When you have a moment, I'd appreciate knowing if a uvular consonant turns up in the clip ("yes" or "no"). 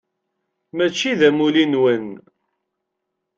no